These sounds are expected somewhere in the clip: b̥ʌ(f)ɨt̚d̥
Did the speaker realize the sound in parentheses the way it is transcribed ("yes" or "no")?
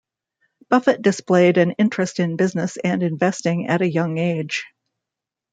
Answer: yes